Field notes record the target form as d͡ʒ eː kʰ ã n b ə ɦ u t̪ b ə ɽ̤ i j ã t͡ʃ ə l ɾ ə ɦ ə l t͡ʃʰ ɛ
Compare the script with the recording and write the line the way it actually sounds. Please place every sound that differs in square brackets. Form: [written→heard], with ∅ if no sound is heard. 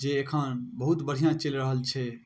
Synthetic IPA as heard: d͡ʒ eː kʰ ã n b ə ɦ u t̪ b ə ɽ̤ i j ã t͡ʃ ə l ɾ ə ɦ ə l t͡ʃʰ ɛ